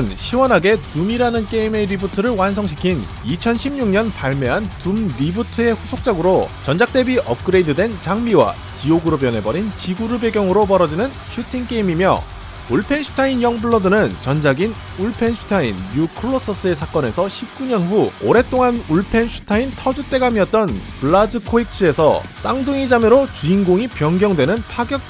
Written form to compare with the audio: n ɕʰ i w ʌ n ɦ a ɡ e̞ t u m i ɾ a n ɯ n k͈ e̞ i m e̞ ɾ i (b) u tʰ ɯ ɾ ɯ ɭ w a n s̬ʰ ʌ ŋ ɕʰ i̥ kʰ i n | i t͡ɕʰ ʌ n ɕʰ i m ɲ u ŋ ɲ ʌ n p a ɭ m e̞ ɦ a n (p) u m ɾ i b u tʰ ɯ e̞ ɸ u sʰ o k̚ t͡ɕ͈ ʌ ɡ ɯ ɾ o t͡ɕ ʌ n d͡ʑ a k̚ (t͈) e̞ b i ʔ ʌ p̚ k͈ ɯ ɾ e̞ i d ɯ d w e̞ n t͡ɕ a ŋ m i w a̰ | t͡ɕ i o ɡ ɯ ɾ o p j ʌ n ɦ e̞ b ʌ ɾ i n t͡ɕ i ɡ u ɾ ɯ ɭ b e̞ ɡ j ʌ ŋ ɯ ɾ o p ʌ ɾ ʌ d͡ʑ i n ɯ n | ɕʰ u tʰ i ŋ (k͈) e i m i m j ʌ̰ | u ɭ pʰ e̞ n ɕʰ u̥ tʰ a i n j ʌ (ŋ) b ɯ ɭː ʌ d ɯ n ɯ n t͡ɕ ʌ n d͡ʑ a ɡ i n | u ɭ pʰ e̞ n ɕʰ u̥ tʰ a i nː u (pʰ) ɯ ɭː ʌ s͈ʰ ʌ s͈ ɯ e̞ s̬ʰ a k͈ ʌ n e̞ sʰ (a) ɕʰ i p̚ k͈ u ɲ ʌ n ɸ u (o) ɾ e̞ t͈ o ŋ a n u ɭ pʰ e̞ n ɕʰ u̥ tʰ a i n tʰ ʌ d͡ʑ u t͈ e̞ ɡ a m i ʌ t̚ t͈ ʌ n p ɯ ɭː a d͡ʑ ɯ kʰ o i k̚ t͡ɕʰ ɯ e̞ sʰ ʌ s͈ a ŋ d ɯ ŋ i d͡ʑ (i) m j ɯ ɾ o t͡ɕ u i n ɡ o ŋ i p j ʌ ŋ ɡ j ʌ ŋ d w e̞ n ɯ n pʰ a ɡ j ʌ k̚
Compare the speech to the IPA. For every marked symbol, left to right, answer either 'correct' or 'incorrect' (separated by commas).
correct, incorrect, correct, correct, correct, incorrect, incorrect, correct, incorrect